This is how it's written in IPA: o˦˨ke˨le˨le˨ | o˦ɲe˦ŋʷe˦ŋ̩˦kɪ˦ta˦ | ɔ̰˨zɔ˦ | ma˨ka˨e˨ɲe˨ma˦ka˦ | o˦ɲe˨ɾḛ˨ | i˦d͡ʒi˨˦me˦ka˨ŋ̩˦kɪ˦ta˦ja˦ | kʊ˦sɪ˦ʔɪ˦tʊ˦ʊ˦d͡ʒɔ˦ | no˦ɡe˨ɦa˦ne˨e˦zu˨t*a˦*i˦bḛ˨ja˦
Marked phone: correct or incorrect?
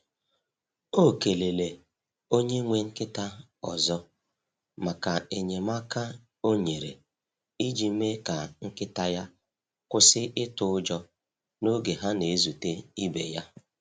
incorrect